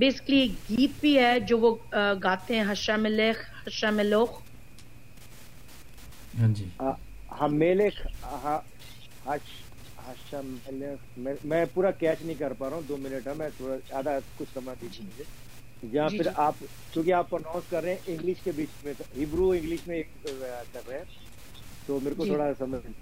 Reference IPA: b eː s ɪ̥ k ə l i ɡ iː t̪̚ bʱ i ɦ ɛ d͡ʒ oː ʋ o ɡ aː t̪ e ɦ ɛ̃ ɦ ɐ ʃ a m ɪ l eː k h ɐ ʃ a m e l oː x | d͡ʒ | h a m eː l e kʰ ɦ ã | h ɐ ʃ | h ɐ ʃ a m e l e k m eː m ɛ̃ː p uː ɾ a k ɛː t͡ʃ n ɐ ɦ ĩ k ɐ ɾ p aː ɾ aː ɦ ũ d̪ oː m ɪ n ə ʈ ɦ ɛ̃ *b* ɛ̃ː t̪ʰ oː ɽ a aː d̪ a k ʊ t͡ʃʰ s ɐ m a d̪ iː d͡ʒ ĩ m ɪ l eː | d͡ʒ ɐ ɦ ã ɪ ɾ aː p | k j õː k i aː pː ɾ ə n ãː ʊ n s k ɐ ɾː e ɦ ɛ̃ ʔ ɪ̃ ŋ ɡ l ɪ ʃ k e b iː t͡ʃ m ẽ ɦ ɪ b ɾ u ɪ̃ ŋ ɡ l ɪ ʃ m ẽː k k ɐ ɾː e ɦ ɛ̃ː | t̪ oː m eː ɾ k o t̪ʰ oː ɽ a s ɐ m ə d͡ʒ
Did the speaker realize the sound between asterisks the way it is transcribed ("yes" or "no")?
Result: no